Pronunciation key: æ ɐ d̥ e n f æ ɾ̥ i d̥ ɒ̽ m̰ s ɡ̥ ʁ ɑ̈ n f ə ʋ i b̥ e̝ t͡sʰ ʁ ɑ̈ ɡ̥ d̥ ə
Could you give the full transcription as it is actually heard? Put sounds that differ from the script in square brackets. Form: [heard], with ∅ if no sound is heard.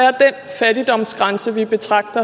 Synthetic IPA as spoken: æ ɐ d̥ e n f æ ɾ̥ i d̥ ɒ̽ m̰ s ɡ̥ ʁ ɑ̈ n [s] ə ʋ i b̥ e̝ t͡sʰ ʁ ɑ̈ ɡ̥ d̥ [ɐ]